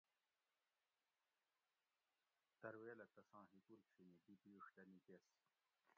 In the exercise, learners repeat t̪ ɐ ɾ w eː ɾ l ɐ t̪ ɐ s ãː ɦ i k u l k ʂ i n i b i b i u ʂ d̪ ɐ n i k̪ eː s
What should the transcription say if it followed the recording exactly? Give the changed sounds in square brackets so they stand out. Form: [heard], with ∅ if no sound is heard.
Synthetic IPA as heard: t̪ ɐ ɾ w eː [∅] l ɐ t̪ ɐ s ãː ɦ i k u l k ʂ i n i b i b i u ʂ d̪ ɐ n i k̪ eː s